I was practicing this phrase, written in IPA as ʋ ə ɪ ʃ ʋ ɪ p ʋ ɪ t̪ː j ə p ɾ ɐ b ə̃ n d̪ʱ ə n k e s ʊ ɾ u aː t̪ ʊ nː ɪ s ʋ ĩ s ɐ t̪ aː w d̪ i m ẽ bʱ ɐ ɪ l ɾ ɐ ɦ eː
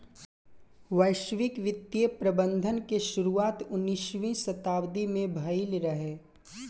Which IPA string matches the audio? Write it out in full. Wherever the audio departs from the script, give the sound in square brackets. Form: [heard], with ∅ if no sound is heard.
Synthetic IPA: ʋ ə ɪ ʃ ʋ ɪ [k] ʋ ɪ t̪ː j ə p ɾ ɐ b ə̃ n d̪ʱ ə n k e [ʃ] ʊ ɾ u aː t̪ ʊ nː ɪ [ʃ] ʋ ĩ s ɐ t̪ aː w d̪ i m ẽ bʱ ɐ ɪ l ɾ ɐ ɦ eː